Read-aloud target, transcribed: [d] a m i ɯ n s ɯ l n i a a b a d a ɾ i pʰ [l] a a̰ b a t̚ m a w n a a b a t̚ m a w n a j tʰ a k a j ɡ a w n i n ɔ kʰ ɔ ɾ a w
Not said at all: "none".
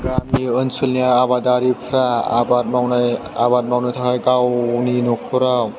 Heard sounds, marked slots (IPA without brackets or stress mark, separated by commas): ɡ, ɾ